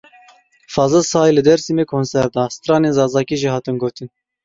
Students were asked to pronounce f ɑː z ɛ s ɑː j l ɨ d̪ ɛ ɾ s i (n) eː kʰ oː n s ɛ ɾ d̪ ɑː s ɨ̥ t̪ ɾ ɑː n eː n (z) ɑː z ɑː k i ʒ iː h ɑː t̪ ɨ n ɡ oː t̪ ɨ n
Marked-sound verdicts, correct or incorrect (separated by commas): incorrect, correct